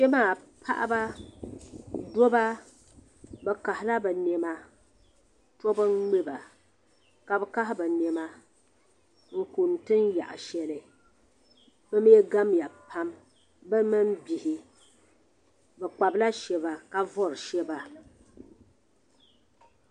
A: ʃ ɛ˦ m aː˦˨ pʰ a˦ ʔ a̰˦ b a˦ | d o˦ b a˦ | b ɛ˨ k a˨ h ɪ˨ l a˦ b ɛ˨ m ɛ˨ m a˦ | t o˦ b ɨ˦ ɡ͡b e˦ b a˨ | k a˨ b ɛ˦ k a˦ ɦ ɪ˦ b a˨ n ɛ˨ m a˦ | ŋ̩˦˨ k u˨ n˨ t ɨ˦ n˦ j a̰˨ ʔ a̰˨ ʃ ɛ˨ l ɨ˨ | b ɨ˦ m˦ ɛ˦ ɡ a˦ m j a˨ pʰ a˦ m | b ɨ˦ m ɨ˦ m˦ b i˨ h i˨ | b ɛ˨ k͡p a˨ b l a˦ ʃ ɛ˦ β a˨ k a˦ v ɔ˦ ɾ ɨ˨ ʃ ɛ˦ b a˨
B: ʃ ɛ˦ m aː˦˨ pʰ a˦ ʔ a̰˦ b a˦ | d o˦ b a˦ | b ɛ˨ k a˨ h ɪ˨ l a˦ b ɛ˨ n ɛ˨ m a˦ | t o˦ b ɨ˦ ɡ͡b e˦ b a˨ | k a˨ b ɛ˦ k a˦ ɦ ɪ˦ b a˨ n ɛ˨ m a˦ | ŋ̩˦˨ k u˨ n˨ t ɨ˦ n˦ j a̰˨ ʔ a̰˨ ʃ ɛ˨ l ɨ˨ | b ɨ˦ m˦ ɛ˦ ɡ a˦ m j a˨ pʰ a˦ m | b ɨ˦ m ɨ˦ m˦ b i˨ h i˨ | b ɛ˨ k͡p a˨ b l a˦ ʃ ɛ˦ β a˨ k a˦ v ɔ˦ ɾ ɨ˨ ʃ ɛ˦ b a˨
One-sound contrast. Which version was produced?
B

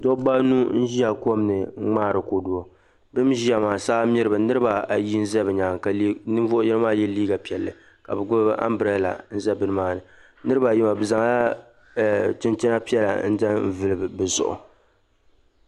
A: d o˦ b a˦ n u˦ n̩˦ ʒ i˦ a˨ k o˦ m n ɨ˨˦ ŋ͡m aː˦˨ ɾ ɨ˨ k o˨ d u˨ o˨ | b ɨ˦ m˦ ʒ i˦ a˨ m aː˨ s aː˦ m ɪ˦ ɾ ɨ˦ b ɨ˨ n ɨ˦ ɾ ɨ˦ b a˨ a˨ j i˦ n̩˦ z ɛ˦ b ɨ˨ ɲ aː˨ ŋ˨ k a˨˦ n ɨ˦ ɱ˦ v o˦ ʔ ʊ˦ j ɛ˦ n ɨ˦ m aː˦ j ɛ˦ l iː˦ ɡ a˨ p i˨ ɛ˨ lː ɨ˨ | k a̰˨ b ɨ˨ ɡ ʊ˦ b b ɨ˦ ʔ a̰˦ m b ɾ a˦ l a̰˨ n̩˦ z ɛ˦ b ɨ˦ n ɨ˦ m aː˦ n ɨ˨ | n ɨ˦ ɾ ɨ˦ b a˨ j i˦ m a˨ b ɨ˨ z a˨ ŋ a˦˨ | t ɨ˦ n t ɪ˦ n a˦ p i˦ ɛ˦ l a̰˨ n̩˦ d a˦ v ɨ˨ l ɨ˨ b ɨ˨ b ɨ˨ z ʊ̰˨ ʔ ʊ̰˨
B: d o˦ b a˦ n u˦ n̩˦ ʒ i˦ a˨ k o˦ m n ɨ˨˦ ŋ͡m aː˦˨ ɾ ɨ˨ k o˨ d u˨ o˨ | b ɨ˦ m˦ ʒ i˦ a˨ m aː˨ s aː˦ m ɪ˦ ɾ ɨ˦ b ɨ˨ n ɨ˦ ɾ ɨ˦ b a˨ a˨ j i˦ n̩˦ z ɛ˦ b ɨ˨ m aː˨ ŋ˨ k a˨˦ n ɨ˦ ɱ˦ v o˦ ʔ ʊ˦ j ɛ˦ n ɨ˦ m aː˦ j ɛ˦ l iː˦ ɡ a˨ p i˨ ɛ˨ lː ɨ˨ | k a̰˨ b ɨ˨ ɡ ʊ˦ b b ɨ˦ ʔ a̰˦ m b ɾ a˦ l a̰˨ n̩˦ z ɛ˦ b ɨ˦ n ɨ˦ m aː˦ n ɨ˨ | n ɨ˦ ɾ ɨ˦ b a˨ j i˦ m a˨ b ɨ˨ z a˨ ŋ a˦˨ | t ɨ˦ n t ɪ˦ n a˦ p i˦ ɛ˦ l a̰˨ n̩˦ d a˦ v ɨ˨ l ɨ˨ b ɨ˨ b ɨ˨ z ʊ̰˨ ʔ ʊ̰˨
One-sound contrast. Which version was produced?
A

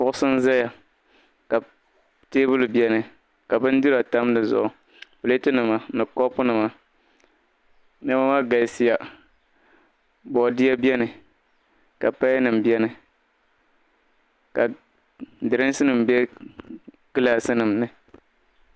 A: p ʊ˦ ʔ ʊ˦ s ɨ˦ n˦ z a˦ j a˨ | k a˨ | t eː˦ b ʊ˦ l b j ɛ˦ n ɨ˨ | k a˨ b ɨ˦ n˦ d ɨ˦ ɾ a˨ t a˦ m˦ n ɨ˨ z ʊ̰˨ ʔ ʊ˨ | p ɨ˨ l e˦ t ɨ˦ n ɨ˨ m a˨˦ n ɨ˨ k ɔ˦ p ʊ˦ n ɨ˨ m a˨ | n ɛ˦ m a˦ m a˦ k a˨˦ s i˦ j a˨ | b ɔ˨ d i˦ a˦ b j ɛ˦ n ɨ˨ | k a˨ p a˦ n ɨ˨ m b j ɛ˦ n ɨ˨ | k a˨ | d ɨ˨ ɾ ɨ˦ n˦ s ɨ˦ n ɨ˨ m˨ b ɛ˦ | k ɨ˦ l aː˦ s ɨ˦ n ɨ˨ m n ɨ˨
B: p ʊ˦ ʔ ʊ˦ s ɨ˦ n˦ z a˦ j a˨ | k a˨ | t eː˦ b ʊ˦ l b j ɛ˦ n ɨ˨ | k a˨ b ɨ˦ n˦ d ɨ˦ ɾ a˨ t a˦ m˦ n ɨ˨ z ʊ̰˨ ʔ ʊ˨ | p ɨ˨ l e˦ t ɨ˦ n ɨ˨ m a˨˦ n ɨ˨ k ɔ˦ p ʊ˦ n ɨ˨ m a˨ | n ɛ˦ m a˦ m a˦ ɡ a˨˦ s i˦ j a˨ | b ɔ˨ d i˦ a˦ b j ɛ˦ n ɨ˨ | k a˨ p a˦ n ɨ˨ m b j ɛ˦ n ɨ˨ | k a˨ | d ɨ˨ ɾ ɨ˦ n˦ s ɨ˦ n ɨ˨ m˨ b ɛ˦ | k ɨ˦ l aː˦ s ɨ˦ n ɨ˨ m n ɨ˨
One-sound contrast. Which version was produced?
B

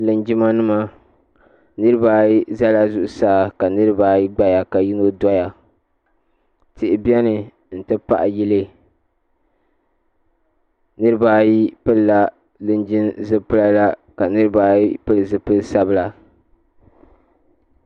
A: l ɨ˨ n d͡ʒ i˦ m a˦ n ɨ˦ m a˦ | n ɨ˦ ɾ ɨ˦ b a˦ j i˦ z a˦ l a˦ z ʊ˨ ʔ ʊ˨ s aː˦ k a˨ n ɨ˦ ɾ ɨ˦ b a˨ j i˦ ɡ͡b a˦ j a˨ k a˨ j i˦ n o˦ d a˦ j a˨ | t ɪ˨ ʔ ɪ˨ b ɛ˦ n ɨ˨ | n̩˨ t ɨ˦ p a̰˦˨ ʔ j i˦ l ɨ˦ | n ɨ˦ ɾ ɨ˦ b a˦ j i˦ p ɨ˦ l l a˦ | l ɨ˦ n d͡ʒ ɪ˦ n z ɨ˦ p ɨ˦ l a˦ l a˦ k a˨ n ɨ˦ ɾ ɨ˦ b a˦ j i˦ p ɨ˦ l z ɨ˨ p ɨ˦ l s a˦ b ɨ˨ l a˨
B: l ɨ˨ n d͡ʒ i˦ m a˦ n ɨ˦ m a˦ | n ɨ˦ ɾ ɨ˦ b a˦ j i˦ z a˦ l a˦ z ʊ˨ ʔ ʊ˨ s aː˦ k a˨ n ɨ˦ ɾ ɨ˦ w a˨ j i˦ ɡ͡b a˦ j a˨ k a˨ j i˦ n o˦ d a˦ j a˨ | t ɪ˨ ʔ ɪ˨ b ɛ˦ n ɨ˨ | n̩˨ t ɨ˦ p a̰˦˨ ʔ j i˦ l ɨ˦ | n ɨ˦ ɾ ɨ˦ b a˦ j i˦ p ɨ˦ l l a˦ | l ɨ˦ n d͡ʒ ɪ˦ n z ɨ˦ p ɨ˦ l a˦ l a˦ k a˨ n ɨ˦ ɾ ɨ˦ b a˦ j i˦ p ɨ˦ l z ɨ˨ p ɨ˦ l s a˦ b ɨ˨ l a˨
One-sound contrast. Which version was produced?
A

